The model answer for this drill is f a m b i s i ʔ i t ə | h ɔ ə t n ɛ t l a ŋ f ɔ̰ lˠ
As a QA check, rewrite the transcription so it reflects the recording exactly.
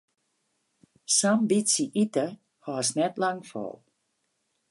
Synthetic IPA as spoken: s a m b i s i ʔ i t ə | h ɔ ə s n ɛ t l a ŋ f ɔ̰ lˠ